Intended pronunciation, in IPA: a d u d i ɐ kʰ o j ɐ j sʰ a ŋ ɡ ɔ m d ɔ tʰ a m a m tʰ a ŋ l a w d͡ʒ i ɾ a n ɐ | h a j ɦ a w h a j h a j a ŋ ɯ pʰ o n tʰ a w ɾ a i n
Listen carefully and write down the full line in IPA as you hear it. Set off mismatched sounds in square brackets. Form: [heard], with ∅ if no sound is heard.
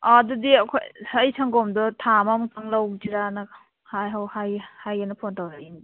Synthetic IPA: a d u d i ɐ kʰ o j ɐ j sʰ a ŋ ɡ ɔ m d ɔ tʰ a m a m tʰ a ŋ l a w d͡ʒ i ɾ a n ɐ | h a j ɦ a w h a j h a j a [n] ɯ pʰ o n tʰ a w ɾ a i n